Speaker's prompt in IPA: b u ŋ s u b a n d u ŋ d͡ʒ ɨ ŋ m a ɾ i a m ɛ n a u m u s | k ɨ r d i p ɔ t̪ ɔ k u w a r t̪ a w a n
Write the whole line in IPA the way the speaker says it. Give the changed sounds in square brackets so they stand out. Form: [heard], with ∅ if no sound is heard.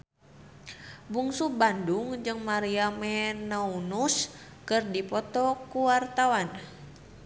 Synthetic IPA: b u ŋ s u b a n d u ŋ d͡ʒ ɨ ŋ m a ɾ i a m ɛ n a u [n] u s | k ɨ r d i p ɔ t̪ ɔ k u w a r t̪ a w a n